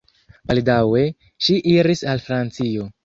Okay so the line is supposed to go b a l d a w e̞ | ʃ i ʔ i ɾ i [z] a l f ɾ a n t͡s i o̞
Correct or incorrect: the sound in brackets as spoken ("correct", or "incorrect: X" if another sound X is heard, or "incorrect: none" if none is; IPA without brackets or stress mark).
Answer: incorrect: s